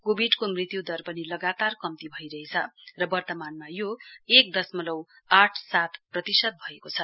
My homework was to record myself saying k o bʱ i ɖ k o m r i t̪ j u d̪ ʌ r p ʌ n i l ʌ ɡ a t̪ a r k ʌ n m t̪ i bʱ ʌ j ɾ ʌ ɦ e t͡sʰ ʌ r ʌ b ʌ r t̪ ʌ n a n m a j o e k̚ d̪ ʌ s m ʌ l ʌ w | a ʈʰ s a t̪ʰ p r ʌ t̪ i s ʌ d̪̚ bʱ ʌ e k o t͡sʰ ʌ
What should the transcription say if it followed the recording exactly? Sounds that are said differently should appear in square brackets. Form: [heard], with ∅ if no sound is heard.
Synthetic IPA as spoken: k o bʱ i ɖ k o m r i t̪ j u d̪ ʌ r p ʌ n i l ʌ ɡ a t̪ a r k ʌ [∅] m t̪ i bʱ ʌ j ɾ ʌ ɦ e t͡sʰ ʌ r ʌ b ʌ r t̪ ʌ [m] a n m a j o e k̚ d̪ ʌ s m ʌ l ʌ w | a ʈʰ s a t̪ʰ p r ʌ t̪ i s ʌ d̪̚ bʱ ʌ e k o t͡sʰ ʌ